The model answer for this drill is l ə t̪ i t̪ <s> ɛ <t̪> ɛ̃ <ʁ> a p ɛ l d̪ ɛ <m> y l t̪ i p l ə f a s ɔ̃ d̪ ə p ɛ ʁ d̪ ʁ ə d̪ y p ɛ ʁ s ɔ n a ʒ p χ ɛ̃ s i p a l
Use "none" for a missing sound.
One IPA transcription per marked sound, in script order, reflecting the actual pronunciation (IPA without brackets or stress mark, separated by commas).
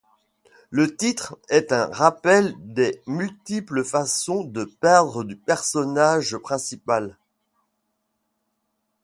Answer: χ, t̪, ʁ, m